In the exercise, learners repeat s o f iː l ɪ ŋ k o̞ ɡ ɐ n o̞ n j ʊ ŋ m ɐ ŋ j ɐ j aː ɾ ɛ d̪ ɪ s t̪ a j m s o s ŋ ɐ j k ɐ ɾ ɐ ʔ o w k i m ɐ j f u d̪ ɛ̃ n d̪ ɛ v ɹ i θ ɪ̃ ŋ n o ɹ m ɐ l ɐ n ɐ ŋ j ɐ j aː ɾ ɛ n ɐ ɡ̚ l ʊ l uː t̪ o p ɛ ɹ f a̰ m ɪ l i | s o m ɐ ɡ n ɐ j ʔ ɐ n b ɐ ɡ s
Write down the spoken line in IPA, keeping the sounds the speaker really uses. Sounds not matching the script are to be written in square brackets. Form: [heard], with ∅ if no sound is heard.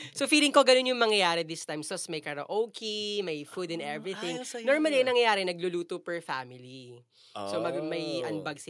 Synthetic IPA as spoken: s o f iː l ɪ ŋ k o̞ ɡ ɐ n o̞ n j ʊ ŋ m ɐ ŋ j ɐ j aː ɾ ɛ d̪ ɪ s t̪ a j m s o s [m] ɐ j k ɐ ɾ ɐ ʔ o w k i m ɐ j f u d̪ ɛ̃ n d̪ ɛ v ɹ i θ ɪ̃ ŋ n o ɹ m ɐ l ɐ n ɐ ŋ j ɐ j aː ɾ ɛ n ɐ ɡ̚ l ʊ l uː t̪ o p ɛ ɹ f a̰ m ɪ l i | s o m ɐ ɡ [m] ɐ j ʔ ɐ n b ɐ ɡ s